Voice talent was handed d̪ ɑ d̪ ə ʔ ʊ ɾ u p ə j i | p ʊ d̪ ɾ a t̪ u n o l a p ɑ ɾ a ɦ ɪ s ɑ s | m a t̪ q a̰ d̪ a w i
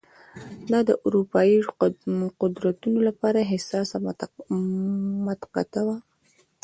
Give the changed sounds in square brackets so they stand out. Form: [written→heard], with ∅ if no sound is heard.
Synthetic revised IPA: d̪ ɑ d̪ ə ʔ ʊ ɾ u p [ə→ɑ] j i | [p→q] ʊ d̪ ɾ a t̪ u n o l a p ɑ ɾ a ɦ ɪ s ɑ s | m a t̪ q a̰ [d̪→t̪] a w [i→a]